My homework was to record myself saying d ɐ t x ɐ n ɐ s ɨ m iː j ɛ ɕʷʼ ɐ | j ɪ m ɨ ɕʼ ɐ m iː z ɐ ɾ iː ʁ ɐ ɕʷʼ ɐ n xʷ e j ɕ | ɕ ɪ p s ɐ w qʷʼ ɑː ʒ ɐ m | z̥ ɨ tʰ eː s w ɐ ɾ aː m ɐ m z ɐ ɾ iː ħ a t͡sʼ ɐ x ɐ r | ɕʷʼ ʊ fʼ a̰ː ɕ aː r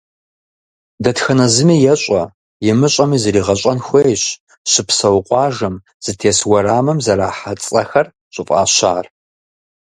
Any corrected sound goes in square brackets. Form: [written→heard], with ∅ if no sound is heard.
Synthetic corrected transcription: d ɐ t x ɐ n ɐ [s→z] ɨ m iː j ɛ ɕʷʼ ɐ | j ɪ m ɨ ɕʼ ɐ m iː z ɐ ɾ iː ʁ ɐ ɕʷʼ ɐ n xʷ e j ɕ | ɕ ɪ p s ɐ w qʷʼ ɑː ʒ ɐ m | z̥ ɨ tʰ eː s w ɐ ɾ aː m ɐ m z ɐ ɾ [iː→aː] ħ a t͡sʼ ɐ x ɐ r | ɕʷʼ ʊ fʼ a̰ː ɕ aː r